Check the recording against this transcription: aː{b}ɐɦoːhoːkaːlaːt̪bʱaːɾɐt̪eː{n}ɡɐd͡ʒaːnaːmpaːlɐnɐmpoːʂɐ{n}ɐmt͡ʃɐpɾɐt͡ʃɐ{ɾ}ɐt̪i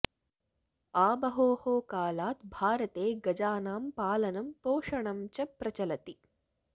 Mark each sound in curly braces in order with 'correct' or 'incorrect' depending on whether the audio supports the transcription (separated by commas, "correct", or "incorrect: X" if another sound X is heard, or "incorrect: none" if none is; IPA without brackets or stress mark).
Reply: correct, incorrect: none, incorrect: ɳ, incorrect: l